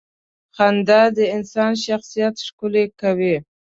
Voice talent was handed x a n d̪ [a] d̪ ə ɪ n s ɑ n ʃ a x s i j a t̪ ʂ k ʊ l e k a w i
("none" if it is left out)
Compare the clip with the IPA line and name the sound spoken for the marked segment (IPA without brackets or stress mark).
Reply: a